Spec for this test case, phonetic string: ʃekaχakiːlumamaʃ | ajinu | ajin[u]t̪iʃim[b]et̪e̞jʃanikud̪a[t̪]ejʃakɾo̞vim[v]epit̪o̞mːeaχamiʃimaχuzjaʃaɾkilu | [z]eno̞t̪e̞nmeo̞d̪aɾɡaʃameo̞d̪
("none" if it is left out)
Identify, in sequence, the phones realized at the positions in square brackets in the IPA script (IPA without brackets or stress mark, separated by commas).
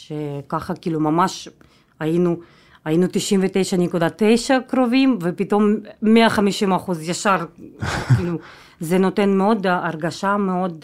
u, v, t̪, v, z